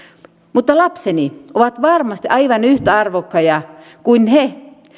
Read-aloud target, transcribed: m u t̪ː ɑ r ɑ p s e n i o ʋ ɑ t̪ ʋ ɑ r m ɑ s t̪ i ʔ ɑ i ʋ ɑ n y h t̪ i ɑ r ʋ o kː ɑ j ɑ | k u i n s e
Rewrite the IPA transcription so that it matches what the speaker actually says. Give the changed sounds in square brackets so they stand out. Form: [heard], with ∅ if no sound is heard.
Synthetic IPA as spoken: m u t̪ː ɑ [l] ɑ p s e n i o ʋ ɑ t̪ ʋ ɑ r m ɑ s t̪ i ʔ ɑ i ʋ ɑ n y h t̪ [æ] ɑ r ʋ o kː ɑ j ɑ | k u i n [h] e